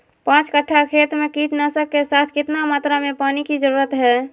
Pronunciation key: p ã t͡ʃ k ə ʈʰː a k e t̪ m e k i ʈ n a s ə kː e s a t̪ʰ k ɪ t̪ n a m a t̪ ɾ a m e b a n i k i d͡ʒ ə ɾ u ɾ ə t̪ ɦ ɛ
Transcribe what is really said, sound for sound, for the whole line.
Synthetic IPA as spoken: p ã t͡ʃ k ə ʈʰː a kʰ e t̪ m e k i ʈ n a s ə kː e s a t̪ʰ k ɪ t̪ n a m a t̪ ɾ a m e p a n i k i d͡ʒ ə ɾ u ɾ ə t̪ ɦ ɛ